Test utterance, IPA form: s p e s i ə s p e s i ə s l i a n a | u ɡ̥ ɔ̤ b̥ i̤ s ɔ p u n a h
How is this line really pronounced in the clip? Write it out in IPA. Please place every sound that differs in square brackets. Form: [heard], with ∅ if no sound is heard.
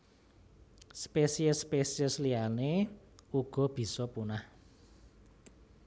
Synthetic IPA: s p e s i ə s p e s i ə s l i a n [e] | u ɡ̥ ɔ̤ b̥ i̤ s ɔ p u n a h